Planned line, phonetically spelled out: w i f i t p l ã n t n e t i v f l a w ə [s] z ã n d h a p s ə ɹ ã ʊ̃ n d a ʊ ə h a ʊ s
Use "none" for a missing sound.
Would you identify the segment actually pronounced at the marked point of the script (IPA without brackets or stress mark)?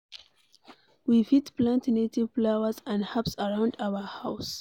none